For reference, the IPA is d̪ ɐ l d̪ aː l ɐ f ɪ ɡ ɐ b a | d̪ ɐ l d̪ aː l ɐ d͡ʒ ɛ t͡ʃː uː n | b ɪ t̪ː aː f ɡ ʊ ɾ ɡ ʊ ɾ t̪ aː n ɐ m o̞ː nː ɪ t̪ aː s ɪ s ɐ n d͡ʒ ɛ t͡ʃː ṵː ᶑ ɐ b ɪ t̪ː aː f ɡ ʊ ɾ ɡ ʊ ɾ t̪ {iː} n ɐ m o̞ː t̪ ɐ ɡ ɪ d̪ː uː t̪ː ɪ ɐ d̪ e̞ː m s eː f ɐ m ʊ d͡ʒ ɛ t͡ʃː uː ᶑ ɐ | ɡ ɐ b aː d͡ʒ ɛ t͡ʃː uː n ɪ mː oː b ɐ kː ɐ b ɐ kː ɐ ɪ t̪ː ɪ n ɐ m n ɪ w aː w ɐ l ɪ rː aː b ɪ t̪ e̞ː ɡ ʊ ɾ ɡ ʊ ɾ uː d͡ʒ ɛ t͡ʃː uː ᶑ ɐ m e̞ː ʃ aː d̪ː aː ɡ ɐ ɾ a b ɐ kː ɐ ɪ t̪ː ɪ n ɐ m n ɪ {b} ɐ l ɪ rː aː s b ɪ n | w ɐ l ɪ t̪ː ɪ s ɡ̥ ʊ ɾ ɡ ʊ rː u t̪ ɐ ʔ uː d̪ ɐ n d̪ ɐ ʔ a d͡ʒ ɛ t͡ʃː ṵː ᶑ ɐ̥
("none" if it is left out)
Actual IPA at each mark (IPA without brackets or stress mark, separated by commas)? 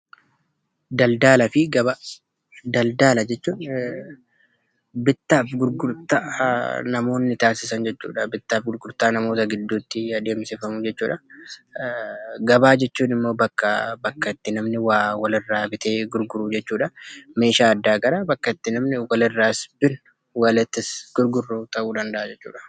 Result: aː, w